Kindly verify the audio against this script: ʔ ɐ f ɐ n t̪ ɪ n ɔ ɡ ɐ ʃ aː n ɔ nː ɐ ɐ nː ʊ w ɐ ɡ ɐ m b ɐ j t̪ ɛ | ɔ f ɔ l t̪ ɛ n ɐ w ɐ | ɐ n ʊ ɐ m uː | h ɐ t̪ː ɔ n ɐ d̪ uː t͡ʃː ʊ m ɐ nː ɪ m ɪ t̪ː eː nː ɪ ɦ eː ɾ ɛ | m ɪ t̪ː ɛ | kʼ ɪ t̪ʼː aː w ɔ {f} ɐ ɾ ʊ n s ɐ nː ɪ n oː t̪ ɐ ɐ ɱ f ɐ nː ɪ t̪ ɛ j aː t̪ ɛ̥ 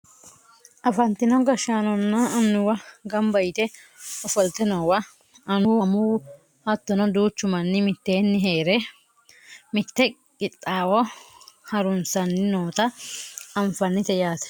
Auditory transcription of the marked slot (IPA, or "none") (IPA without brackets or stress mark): h